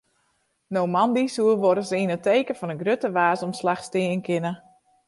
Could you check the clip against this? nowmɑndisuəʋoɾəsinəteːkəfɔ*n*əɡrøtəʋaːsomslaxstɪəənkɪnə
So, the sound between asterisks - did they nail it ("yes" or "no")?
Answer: yes